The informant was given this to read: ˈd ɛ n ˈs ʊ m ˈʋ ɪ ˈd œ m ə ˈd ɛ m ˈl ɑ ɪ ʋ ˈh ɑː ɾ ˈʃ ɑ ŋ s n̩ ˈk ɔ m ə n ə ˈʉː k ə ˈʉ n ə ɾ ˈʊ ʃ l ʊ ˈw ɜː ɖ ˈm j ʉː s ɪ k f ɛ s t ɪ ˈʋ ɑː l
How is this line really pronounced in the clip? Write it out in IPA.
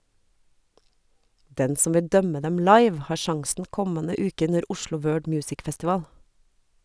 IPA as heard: ˈd ɛ n ˈs ʊ m ˈʋ ɪ ˈd œ m ə ˈd ɛ m ˈl ɑ ɪ ʋ ˈh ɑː ɾ ˈʃ ɑ ŋ s n̩ ˈk ɔ m ə n ə ˈʉː k ə ˈʉ n ə ɾ ˈʊ ʃ l ʊ ˈw ɜː ɖ ˈm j ʉː s ɪ k f ɛ s t ɪ ˈʋ ɑː l

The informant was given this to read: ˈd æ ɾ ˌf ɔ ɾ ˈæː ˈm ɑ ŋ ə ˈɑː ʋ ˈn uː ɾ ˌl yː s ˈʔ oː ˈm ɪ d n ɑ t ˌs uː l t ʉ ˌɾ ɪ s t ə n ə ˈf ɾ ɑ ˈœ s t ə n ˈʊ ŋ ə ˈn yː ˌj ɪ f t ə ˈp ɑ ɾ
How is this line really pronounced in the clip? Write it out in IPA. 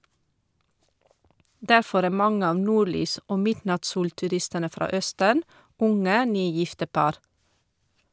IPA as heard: ˈd æ ɾ ˌf ɔ ɾ ˈæː ˈm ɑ ŋ ə ˈɑː ʋ ˈn uː ɾ ˌl yː s ˈʔ oː ˈm ɪ d n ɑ t ˌs uː l t ʉ ˌɾ ɪ s t ə n ə ˈf ɾ ɑ ˈœ s t ə n ˈʊ ŋ ə ˈn yː ˌj ɪ f t ə ˈp ɑ ɾ

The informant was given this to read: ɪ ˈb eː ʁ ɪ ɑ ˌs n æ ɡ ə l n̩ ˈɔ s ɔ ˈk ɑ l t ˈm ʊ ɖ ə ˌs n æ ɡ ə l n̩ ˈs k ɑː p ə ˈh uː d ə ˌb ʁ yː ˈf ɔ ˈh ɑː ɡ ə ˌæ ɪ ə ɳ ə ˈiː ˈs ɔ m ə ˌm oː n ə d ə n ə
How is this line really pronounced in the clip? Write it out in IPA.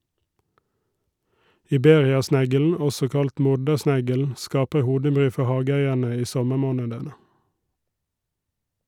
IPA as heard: ɪ ˈb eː ʁ ɪ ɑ ˌs n æ ɡ ə l n̩ ˈɔ s ɔ ˈk ɑ l t ˈm ʊ ɖ ə ˌs n æ ɡ ə l n̩ ˈs k ɑː p ə ˈh uː d ə ˌb ʁ yː ˈf ɔ ˈh ɑː ɡ ə ˌæ ɪ ə ɳ ə ˈiː ˈs ɔ m ə ˌm oː n ə d ə n ə

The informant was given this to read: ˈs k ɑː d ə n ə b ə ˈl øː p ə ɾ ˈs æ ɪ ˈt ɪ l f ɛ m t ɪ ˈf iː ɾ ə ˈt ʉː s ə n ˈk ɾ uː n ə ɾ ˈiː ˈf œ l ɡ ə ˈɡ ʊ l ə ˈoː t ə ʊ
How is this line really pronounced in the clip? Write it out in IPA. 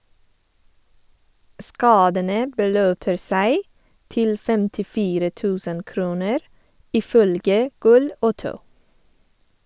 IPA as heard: ˈs k ɑː d ə n ə b ə ˈl øː p ə ɾ ˈs æ ɪ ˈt ɪ l f ɛ m t ɪ ˈf iː ɾ ə ˈt ʉː s ə n ˈk ɾ uː n ə ɾ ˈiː ˈf œ l ɡ ə ˈɡ ʊ l ə ˈoː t ə ʊ

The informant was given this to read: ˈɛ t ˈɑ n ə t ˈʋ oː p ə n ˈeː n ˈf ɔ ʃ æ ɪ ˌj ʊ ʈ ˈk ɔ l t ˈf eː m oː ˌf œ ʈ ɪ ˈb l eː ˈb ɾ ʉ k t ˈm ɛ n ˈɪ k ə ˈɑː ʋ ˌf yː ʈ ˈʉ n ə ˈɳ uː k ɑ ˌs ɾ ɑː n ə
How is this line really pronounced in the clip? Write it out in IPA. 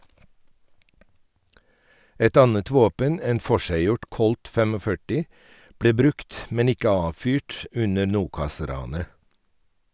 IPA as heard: ˈɛ t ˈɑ n ə t ˈʋ oː p ə n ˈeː n ˈf ɔ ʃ æ ɪ ˌj ʊ ʈ ˈk ɔ l t ˈf eː m oː ˌf œ ʈ ɪ ˈb ɽ eː ˈb ɾ ʉ k t ˈm ɛ n ˈɪ k ə ˈɑː ʋ ˌf yː ʈ ˈʉ n ə ˈɳ uː k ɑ ˌs ɾ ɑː n ə

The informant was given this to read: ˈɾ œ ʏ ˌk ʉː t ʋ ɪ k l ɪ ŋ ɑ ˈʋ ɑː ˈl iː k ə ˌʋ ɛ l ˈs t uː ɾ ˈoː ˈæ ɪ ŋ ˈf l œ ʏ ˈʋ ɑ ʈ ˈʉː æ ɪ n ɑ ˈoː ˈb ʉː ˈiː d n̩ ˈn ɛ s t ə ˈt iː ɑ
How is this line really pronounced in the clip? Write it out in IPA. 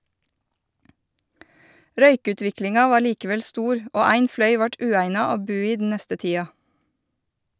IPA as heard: ˈɾ œ ʏ ˌk ʉː t ʋ ɪ k l ɪ ŋ ɑ ˈʋ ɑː ˈl iː k ə ˌʋ ɛ l ˈs t uː ɾ ˈoː ˈæ ɪ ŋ ˈf l œ ʏ ˈʋ ɑ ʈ ˈʉː æ ɪ n ɑ ˈoː ˈb ʉː ˈiː d n̩ ˈn ɛ s t ə ˈt iː ɑ

